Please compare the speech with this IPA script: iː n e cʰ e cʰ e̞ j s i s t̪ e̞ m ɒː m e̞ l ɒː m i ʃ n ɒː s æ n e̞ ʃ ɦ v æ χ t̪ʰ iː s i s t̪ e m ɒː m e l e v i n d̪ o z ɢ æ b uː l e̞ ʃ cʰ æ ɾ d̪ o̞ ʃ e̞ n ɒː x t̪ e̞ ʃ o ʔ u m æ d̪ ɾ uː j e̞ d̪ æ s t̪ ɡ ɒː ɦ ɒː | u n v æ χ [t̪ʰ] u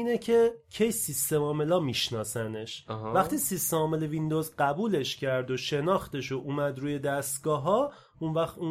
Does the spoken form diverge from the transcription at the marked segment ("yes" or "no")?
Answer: yes